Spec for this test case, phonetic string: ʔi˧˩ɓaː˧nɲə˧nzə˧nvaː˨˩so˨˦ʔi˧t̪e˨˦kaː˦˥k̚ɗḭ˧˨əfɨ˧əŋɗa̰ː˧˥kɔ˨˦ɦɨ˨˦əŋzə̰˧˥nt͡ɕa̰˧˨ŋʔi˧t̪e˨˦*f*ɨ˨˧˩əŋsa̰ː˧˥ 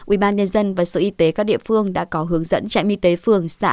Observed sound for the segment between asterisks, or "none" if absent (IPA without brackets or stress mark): f